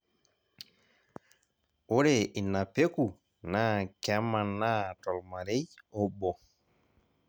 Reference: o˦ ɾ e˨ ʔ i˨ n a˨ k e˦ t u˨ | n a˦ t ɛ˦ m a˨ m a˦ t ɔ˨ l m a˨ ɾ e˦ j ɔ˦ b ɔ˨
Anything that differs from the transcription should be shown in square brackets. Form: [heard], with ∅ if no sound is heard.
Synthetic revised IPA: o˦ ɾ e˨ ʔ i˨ n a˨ [p] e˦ [k] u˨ | n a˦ [k] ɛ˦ m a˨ [n] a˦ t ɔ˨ l m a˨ ɾ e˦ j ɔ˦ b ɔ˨

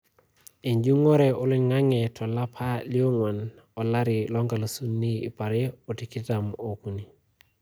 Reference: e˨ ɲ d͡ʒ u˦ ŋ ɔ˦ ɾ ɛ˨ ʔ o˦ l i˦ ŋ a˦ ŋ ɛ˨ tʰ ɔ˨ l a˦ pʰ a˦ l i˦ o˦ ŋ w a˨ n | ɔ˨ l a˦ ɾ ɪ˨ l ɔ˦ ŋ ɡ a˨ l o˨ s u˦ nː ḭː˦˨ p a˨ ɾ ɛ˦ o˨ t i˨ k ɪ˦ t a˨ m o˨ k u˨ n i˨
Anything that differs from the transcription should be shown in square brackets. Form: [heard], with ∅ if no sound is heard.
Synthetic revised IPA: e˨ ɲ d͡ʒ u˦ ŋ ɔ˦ ɾ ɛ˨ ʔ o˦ l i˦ ŋ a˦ ŋ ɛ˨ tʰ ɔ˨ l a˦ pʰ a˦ l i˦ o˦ ŋ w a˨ n | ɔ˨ l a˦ ɾ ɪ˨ l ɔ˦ ŋ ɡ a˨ l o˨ s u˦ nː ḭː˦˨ p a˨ ɾ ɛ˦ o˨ t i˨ k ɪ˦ t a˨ m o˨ k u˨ n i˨

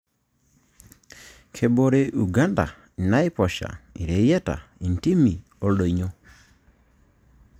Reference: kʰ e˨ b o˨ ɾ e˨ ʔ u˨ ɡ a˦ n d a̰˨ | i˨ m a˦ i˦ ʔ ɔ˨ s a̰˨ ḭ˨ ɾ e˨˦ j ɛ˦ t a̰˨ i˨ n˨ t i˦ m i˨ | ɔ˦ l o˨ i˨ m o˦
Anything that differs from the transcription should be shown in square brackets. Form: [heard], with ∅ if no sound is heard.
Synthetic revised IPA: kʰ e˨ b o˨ ɾ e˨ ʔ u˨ ɡ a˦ n d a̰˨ | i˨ [n] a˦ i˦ [p] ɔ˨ [ʃ] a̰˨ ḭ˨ ɾ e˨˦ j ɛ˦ t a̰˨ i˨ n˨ t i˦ m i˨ | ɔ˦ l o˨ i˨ [ɲ] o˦

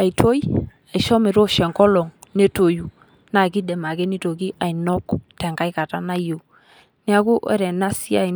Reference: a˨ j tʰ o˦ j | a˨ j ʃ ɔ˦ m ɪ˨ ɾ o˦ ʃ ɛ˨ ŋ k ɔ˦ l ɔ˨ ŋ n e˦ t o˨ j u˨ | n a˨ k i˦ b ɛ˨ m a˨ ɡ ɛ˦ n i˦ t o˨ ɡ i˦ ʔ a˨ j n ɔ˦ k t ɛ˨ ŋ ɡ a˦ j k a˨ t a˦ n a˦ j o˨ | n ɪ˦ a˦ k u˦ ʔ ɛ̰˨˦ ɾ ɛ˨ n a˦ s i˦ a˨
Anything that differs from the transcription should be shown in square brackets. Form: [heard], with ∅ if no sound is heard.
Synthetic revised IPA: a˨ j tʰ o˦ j | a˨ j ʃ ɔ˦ m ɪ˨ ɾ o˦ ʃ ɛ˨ ŋ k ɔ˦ l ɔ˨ ŋ n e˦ t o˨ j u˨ | n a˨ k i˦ [d] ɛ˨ m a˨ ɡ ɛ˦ n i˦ t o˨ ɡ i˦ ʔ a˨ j n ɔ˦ k t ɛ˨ ŋ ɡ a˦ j k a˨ t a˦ n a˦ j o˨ | n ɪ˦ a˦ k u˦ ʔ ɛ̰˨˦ ɾ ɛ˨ n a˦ s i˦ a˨

